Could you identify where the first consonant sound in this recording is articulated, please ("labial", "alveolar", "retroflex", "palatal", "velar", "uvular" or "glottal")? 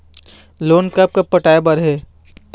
alveolar